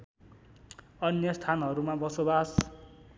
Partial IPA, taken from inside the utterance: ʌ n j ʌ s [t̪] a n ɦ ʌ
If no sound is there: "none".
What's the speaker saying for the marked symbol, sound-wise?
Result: t̪ʰ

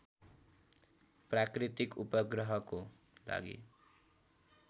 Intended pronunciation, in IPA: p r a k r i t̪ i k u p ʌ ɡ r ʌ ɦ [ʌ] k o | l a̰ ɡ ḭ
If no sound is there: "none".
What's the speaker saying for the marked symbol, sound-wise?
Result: ʌ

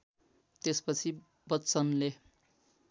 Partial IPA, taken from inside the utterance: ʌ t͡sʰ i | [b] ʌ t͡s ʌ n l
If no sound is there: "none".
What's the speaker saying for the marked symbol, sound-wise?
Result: b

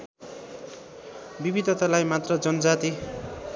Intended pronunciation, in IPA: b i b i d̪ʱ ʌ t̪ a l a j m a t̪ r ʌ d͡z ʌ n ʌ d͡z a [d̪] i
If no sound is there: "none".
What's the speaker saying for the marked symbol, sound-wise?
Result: t̪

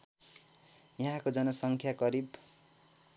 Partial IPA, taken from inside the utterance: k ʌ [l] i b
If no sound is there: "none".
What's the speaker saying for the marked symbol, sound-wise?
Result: ɾ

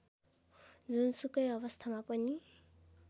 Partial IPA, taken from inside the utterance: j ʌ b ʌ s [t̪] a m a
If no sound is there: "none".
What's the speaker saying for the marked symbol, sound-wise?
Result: t̪ʰ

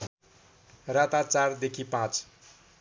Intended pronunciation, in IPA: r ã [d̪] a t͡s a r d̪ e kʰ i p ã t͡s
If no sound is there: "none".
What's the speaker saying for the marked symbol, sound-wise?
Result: t̪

